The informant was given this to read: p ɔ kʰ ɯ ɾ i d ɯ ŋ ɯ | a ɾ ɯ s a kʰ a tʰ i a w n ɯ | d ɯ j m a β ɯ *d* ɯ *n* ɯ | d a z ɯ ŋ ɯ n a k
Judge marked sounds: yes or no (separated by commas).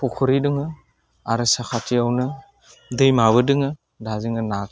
yes, no